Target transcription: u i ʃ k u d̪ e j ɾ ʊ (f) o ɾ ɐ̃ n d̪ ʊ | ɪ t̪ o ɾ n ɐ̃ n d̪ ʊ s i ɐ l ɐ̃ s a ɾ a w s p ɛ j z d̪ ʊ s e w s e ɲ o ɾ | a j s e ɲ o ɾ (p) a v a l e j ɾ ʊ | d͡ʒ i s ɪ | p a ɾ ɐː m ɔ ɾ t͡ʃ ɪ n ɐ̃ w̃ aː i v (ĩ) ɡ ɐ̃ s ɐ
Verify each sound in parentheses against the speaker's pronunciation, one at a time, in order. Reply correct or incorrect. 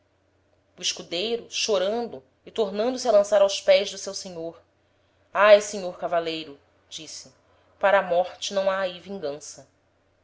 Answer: incorrect, incorrect, correct

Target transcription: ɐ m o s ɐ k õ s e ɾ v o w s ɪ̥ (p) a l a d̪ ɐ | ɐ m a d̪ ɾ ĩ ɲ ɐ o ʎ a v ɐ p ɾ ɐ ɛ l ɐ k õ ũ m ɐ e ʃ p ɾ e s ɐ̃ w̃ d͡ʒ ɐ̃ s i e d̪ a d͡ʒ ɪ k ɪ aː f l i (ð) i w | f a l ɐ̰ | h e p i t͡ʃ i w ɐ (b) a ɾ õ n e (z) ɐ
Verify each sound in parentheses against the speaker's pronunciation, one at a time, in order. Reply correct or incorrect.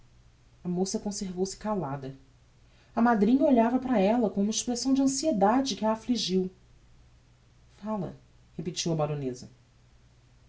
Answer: incorrect, incorrect, correct, correct

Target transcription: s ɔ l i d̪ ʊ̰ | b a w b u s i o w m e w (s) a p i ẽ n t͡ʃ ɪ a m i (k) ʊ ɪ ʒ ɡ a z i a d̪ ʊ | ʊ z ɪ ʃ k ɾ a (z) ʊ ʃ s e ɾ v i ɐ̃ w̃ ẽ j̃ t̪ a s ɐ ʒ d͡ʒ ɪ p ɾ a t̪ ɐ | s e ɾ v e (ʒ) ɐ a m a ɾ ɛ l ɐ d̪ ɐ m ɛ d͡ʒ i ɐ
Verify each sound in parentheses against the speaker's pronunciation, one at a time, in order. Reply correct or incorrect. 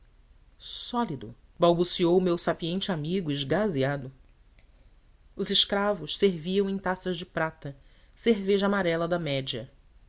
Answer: correct, incorrect, incorrect, correct

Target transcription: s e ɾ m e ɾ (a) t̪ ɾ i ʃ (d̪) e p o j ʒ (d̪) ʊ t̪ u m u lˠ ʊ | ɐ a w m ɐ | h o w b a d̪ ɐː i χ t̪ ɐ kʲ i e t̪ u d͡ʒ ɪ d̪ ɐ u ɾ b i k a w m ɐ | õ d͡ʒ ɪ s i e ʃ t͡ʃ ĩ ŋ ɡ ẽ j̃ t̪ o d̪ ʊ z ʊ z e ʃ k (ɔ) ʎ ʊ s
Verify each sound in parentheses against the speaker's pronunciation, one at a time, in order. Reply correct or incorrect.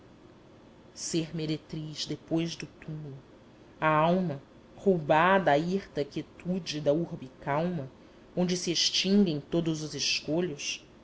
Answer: incorrect, correct, correct, incorrect

